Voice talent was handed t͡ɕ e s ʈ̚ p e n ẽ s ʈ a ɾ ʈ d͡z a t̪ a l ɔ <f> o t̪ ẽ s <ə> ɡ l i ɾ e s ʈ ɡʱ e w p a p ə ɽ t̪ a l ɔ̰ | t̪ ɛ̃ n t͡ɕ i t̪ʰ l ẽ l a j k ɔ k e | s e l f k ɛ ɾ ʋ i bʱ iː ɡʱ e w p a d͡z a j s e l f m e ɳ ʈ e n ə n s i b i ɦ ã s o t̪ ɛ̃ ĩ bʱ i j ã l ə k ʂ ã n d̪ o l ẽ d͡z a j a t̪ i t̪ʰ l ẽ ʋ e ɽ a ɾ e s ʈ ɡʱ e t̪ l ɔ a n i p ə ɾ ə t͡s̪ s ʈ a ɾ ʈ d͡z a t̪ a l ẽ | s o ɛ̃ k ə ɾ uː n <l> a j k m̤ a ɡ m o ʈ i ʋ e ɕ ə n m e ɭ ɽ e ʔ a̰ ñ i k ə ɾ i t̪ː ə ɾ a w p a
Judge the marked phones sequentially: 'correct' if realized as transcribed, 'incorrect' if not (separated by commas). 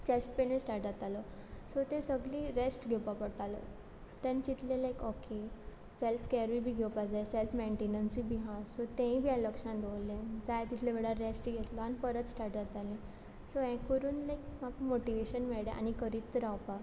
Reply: incorrect, correct, correct